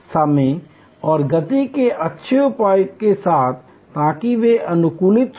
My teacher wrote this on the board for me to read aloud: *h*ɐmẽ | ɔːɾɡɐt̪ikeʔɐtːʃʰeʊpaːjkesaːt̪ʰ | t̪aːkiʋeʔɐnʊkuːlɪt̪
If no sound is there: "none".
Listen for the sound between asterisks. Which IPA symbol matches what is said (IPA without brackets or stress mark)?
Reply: s